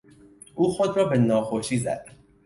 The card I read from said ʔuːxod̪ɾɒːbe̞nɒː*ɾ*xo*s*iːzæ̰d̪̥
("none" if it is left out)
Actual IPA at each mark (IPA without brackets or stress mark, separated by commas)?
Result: none, ʃ